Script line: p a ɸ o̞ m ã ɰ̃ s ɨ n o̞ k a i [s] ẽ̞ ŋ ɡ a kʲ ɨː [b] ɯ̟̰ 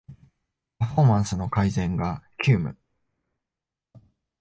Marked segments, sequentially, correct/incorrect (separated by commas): incorrect, incorrect